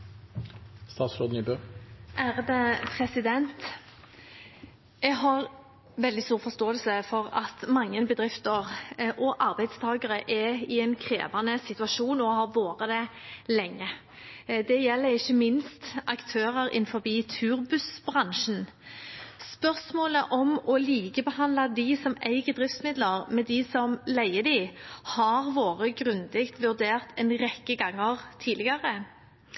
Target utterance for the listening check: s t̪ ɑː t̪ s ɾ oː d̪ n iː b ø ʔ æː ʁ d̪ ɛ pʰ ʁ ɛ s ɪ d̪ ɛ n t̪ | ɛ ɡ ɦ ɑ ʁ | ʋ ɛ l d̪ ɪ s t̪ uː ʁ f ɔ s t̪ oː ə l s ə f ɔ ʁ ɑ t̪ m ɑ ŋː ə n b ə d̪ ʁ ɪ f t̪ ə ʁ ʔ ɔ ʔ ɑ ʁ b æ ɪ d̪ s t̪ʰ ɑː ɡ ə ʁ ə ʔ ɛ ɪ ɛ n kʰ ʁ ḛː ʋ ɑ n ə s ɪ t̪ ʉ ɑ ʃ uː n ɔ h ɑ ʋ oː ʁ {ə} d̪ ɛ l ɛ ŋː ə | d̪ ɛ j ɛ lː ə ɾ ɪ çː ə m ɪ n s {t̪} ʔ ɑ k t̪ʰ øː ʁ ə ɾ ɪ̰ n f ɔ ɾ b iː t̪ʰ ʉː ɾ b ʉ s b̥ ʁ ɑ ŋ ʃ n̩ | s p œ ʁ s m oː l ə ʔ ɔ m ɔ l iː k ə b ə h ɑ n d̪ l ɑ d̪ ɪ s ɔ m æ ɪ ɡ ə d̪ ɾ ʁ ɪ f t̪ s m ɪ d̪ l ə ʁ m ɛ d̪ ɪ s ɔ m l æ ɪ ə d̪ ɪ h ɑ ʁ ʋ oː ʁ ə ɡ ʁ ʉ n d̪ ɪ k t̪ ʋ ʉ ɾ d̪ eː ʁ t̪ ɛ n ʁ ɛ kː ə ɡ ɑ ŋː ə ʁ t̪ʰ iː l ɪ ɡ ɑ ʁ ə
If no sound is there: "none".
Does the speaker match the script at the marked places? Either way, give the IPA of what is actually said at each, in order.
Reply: ə, t̪

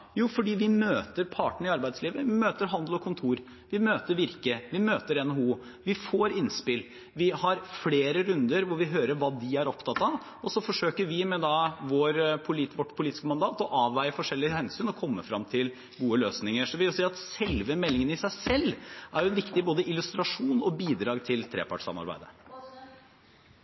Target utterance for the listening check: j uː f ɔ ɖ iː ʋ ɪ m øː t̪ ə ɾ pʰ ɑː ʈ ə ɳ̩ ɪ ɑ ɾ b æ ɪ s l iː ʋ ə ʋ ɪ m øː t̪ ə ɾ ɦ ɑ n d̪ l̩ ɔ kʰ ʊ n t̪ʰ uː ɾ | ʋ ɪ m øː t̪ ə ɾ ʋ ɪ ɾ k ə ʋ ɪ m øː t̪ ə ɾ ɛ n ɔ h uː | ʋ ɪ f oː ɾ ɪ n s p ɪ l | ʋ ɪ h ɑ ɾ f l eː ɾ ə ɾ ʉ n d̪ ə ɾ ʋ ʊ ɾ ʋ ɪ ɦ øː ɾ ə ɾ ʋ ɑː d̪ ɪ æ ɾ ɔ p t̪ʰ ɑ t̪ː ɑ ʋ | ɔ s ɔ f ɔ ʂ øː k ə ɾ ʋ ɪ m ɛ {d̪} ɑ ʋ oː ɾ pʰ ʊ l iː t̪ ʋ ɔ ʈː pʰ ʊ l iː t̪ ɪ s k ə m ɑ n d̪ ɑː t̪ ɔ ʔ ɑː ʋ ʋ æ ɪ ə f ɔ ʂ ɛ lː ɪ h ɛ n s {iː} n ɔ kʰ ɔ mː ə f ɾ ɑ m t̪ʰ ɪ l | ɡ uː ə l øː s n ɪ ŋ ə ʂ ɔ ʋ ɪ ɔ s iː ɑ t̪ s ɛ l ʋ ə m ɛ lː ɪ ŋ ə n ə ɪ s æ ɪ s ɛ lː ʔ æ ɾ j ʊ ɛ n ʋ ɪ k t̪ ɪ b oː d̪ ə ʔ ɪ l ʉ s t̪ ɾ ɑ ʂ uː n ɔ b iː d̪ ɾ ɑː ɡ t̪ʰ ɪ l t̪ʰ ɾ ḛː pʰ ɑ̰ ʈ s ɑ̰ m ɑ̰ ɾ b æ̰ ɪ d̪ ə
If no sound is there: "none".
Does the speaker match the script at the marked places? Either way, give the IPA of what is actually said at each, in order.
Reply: d̪, yː

